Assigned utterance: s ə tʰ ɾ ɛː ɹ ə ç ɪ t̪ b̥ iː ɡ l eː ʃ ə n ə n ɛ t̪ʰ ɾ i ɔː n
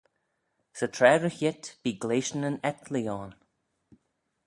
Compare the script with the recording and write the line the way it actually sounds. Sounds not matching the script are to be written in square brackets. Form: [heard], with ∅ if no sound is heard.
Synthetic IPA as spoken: s ə tʰ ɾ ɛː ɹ ə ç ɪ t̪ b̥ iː ɡ l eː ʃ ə n ə n ɛ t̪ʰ [l] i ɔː n